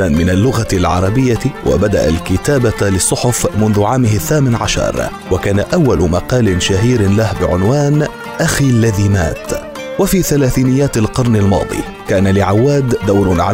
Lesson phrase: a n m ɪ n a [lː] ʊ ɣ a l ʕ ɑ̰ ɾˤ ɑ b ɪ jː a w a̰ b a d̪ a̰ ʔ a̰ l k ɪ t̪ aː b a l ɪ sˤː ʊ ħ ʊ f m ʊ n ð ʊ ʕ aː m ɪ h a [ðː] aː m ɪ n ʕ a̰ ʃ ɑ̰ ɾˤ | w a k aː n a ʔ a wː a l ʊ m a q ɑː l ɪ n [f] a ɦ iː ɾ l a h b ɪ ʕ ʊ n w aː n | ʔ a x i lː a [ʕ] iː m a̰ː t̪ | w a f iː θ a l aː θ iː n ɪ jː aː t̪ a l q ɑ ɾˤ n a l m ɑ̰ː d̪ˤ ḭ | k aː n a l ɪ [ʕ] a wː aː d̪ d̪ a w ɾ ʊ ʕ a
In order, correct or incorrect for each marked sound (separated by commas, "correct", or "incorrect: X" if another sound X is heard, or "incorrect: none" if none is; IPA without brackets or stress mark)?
correct, incorrect: θː, incorrect: ʃ, incorrect: ð, correct